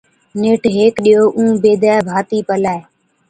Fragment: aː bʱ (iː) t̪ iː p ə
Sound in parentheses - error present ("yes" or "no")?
yes